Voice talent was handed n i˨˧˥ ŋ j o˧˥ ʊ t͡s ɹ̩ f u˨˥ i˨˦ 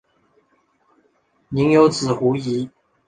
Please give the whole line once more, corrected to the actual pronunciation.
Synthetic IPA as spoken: n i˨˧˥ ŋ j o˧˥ ʊ t͡s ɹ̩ x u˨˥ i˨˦